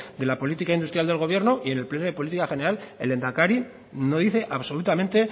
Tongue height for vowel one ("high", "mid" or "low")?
mid